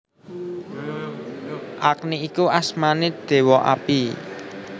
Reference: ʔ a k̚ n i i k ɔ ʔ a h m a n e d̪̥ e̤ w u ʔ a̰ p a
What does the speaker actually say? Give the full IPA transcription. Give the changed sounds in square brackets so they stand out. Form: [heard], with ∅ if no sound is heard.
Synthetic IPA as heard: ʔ a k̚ n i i k [u] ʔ a [s] m a n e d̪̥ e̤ w [ɔ] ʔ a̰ p [i]

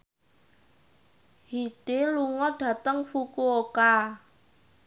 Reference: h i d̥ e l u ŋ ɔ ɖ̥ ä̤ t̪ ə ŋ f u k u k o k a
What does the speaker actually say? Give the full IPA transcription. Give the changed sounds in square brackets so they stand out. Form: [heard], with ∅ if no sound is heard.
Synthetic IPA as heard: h i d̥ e l u ŋ ɔ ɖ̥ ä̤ t̪ ə ŋ f u k u [∅] o k a

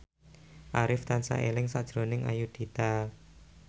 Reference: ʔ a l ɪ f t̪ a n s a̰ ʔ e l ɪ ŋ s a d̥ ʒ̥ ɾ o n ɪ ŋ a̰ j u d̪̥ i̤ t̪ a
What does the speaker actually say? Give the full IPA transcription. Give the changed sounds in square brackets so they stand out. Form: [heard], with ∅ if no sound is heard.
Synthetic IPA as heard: ʔ a [ɾ] ɪ f t̪ a n s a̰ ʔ e l ɪ ŋ s a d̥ ʒ̥ ɾ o n ɪ ŋ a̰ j u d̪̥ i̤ t̪ a

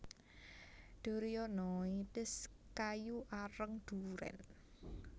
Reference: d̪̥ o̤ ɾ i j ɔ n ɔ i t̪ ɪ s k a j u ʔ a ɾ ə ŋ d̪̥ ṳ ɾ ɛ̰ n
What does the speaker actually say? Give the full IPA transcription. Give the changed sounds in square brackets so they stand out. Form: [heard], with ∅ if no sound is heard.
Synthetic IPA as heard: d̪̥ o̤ ɾ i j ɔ n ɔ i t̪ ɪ s k a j u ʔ a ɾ ə ŋ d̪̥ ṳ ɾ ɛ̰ n

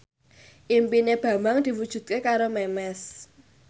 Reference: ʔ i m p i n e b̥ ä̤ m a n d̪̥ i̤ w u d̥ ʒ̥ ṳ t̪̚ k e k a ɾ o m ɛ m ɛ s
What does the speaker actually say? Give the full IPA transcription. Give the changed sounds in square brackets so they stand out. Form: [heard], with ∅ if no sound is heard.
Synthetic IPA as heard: ʔ i m p i n e b̥ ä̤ m a [ŋ] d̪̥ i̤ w u d̥ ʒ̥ ṳ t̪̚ k e k a ɾ o m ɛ m ɛ s

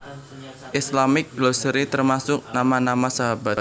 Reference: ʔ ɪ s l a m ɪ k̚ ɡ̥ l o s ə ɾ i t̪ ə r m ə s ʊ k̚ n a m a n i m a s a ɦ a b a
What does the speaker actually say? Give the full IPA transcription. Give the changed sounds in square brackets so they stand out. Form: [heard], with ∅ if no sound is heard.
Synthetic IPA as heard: ʔ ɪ s l a m ɪ k̚ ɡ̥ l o s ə ɾ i t̪ ə r m [a] s ʊ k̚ n a m a n [a] m a s a ɦ a b a

